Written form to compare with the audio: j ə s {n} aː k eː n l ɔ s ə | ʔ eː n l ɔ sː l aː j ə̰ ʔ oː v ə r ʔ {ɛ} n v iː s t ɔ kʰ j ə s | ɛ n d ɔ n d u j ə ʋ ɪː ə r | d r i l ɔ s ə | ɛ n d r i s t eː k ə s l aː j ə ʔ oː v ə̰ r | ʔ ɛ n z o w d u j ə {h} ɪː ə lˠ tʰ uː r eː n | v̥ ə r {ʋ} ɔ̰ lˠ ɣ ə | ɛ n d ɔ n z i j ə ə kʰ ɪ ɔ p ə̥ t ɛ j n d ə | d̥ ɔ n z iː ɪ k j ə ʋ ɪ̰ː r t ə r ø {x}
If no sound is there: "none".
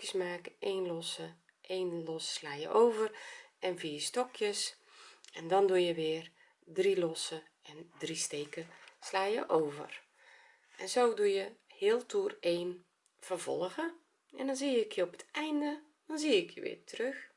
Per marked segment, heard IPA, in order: m, ɛ, h, v, x

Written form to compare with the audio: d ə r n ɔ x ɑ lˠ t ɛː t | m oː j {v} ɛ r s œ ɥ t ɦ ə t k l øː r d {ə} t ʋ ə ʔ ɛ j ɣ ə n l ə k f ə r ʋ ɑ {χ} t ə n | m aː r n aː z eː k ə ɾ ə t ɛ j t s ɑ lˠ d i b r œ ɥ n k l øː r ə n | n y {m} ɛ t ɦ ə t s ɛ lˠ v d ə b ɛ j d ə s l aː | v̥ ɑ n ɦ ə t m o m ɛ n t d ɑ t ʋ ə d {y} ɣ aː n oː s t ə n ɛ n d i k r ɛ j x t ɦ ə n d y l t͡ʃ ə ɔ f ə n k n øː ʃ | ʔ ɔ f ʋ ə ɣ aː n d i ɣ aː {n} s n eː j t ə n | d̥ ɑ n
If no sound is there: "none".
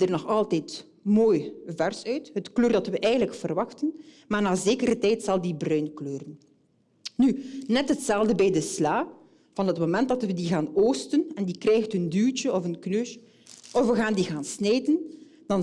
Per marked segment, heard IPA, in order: v, ɑ, x, n, i, n

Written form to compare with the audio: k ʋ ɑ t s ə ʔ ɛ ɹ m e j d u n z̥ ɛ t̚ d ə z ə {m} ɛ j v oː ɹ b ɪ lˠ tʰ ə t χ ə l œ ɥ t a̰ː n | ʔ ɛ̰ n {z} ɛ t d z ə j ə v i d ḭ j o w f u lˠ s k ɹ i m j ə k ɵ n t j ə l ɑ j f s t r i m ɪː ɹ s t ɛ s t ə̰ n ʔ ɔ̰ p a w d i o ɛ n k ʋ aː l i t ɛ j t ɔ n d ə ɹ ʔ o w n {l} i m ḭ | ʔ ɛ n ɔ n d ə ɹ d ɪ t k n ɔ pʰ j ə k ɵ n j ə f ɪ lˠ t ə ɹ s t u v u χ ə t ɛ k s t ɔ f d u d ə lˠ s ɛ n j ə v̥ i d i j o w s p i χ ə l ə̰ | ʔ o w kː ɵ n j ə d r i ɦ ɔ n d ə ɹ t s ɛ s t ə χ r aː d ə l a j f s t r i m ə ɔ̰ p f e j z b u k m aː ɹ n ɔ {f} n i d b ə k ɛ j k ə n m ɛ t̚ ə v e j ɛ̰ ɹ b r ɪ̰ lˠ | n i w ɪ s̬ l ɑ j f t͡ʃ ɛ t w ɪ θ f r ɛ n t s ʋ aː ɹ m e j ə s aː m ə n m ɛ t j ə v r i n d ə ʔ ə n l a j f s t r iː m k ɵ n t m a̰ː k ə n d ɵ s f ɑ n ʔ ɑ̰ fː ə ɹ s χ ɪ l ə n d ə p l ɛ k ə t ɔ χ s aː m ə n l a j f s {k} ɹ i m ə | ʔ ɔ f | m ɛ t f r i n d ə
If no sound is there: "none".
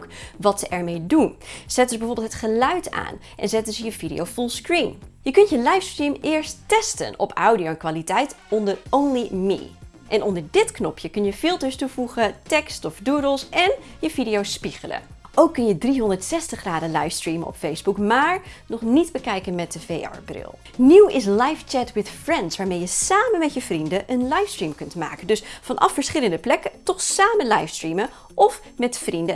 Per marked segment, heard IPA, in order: b, z, l, χ, t

